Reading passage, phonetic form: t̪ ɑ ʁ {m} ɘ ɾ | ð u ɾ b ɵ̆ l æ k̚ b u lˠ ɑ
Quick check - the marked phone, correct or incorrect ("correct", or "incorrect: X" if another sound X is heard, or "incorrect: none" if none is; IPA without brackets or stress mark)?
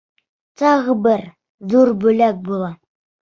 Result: incorrect: b